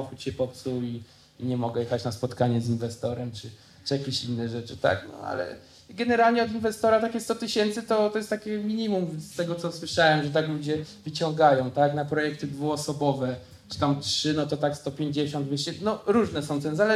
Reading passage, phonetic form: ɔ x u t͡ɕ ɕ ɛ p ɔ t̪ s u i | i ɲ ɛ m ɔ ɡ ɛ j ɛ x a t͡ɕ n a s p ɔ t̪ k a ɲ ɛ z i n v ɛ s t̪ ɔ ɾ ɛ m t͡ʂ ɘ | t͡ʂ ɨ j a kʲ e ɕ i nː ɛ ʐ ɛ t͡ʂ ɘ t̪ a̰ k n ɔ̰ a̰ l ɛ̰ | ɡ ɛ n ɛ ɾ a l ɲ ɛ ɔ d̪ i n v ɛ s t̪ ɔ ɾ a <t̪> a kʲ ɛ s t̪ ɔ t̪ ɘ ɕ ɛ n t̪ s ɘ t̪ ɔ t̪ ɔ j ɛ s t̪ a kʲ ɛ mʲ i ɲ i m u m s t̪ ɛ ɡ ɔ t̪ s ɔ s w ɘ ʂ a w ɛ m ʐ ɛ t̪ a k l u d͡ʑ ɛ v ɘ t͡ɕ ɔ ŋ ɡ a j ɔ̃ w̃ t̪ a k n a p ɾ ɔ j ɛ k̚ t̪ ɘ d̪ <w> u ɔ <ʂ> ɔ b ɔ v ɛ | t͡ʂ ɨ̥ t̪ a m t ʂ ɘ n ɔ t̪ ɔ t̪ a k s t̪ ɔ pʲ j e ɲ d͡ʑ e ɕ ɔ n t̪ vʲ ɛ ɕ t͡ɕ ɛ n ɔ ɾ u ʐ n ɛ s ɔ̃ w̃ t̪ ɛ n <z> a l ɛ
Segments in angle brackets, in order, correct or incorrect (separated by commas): correct, incorrect, incorrect, correct